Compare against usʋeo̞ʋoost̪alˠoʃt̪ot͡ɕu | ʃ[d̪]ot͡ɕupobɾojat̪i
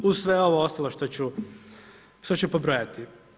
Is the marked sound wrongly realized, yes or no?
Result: yes